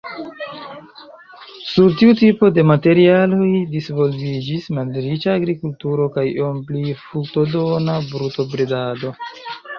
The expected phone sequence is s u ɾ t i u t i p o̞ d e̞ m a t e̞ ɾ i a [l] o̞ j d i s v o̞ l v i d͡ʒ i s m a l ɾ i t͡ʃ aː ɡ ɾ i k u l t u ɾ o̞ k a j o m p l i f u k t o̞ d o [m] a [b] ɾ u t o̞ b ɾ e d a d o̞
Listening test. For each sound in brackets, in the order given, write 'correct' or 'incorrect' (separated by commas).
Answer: correct, incorrect, correct